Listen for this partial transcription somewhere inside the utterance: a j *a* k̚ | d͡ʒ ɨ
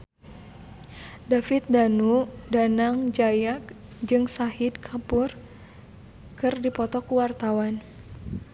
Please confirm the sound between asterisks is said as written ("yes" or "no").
yes